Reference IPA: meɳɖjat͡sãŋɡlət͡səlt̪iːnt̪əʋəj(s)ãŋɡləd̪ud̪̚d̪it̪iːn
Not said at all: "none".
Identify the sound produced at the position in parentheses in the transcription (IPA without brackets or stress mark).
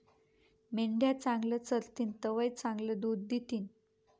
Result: t͡s